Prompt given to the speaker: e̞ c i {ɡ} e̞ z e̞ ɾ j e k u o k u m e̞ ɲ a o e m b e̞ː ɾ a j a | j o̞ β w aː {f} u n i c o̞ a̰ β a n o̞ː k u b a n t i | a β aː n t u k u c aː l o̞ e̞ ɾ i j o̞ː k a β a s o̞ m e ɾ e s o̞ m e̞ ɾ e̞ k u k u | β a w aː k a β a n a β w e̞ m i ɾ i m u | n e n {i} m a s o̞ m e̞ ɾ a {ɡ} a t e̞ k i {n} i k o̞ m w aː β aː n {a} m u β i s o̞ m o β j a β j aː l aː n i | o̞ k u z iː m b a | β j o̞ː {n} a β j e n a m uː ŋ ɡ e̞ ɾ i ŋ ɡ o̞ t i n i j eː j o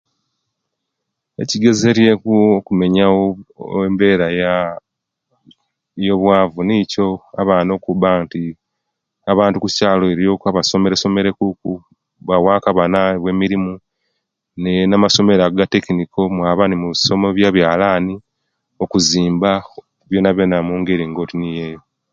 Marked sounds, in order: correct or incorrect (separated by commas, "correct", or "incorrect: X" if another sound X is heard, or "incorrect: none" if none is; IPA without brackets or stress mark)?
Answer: correct, incorrect: v, incorrect: a, correct, correct, incorrect: i, correct